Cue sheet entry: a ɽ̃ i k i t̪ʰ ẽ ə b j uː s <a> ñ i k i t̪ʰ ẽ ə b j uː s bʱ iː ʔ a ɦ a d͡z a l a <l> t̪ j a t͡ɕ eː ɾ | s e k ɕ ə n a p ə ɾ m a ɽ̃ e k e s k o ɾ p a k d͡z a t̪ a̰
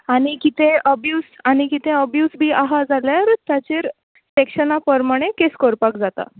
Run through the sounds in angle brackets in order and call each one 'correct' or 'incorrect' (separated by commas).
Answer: correct, incorrect